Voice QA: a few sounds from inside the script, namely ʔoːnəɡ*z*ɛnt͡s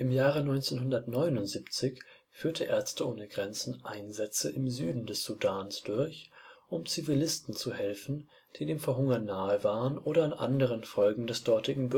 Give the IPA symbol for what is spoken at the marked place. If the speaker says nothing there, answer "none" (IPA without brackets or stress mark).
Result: ʁ